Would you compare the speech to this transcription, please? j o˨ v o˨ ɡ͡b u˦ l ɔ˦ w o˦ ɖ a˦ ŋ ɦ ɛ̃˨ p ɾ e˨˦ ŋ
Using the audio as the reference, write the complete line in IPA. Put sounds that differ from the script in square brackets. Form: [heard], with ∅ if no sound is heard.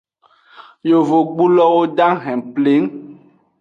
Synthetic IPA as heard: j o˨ v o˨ ɡ͡b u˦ l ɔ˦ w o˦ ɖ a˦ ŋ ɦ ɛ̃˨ p [l] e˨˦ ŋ